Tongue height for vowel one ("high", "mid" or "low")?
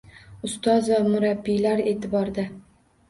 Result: high